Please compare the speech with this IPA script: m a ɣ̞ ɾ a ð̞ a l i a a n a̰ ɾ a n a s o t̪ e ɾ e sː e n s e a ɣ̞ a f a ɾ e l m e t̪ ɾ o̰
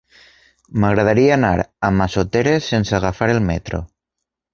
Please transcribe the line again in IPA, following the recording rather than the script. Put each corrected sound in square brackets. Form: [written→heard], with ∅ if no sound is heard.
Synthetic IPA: m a ɣ̞ ɾ a ð̞ a [l→ɾ] i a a n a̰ ɾ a [n→m] a s o t̪ e ɾ e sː e n s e a ɣ̞ a f a ɾ e l m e t̪ ɾ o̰